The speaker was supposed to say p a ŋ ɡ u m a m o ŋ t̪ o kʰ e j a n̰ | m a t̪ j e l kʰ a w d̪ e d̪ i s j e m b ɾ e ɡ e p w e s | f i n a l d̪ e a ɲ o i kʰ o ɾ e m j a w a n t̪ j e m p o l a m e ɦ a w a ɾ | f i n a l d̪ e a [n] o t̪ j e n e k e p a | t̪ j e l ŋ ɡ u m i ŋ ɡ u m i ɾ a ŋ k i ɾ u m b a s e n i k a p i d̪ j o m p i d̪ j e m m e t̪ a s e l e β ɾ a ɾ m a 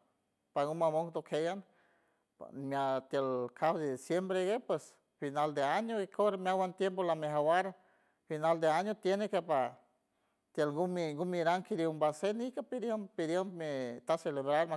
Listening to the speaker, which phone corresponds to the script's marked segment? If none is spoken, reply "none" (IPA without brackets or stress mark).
ɲ